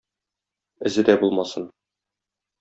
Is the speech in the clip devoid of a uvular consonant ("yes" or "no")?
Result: yes